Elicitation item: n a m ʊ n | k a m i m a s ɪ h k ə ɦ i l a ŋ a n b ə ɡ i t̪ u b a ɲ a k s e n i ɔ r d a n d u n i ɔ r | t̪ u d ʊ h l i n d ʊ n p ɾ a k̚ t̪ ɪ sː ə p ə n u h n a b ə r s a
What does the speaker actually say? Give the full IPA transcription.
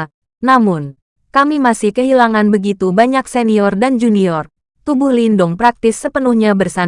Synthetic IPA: n a m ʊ n | k a m i m a s ɪ h k ə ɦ i l a ŋ a n b ə ɡ i t̪ u b a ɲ a k s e n i ɔ r d a n d͡ʒ u n i ɔ r | t̪ u b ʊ h l i n d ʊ ŋ p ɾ a k̚ t̪ ɪ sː ə p ə n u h ɲ a b ə r s a